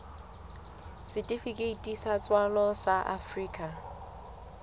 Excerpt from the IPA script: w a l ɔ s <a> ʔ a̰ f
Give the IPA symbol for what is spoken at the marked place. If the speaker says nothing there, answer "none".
a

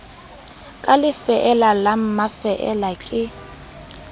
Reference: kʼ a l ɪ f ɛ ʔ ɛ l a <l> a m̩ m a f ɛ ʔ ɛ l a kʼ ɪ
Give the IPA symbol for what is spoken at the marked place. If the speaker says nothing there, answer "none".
l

